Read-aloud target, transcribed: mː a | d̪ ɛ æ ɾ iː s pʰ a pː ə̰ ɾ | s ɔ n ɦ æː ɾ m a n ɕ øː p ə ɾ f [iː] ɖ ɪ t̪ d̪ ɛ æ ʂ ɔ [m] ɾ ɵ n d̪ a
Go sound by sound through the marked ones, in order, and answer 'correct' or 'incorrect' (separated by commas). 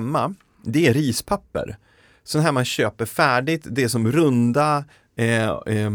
incorrect, correct